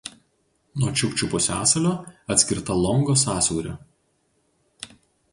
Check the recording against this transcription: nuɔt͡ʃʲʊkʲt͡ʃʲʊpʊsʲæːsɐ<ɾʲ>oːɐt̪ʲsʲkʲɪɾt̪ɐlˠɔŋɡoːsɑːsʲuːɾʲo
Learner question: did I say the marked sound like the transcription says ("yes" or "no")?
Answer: no